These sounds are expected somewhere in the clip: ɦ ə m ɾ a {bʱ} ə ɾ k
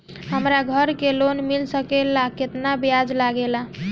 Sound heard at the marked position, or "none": ɡʱ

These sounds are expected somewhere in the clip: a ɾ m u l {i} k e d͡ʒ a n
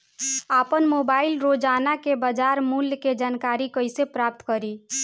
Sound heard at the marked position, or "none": j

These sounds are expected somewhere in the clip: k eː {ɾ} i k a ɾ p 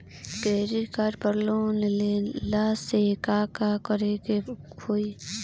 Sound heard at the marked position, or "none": ɾ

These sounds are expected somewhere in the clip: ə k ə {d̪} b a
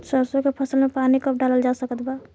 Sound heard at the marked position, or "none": t̪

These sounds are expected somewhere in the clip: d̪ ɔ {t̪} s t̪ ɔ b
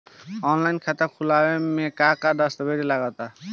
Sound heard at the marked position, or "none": none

